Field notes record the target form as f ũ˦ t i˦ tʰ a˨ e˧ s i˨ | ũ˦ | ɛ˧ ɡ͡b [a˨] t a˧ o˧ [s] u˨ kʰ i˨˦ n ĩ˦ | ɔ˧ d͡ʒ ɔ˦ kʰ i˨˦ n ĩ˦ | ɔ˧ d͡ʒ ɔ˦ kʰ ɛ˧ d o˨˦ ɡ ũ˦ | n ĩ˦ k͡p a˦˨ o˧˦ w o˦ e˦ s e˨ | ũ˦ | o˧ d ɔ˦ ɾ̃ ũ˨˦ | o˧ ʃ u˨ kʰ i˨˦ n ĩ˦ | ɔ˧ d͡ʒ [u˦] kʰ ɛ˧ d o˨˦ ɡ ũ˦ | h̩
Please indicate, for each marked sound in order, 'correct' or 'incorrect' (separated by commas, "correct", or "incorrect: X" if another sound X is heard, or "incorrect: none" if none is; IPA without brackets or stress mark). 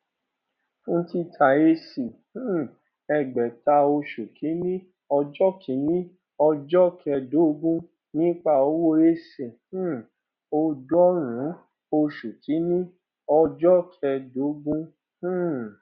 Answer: incorrect: ɛ˨, incorrect: ʃ, incorrect: ɔ˦